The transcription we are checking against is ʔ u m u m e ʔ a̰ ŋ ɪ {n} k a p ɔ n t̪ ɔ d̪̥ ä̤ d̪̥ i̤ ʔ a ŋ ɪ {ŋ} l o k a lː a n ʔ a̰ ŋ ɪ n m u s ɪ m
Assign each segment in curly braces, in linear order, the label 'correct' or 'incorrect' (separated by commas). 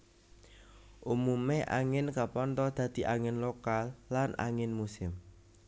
correct, incorrect